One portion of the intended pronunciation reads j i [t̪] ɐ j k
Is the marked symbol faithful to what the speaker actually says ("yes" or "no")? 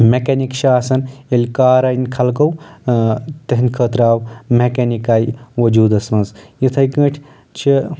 no